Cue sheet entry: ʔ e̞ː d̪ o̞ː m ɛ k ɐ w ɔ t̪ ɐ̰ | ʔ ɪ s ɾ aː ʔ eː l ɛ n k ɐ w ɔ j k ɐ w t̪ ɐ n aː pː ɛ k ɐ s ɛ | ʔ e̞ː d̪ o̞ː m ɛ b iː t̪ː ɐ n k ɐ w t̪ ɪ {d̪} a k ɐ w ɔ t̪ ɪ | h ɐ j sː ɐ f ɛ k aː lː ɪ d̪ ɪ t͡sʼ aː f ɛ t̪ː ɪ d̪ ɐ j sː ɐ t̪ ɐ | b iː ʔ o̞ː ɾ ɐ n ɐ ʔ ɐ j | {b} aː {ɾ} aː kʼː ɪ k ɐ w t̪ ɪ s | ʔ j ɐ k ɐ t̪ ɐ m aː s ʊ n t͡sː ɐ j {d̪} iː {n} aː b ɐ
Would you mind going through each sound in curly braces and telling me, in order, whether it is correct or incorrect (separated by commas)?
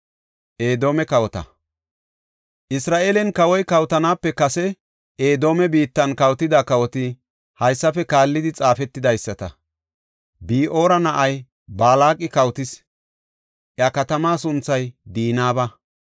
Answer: correct, correct, incorrect, correct, correct